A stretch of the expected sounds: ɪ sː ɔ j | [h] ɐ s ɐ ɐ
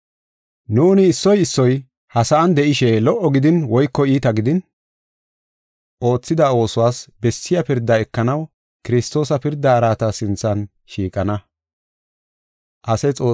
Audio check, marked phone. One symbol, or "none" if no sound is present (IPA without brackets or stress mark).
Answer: h